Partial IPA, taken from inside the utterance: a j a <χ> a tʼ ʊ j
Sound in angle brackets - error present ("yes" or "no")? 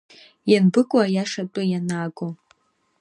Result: yes